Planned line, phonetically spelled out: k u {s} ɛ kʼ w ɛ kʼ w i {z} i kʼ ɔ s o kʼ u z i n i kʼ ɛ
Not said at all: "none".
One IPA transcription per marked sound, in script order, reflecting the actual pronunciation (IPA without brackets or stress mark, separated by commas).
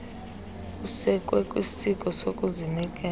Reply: s, s